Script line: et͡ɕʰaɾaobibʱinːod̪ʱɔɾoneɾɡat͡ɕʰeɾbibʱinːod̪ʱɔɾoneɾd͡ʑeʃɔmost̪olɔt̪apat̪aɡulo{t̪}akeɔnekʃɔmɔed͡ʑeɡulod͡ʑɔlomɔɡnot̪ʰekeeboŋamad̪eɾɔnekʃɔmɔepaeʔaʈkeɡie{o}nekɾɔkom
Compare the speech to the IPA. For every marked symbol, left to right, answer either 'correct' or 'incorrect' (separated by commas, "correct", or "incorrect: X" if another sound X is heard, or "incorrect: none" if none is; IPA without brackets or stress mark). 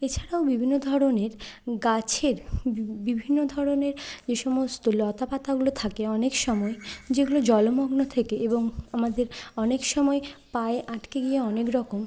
incorrect: t̪ʰ, incorrect: ɔ